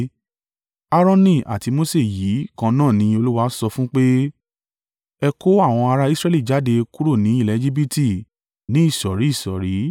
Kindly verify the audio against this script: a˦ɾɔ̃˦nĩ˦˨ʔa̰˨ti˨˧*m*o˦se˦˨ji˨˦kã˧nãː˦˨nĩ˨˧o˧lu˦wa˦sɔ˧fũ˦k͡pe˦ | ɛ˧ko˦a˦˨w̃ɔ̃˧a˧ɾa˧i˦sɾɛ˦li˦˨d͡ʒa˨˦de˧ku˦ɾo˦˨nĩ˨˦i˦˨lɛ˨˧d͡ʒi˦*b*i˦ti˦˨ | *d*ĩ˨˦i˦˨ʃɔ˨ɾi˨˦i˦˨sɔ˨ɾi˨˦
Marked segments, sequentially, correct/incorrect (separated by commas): correct, correct, incorrect